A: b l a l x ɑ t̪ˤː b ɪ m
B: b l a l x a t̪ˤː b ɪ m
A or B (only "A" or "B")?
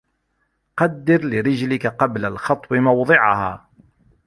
A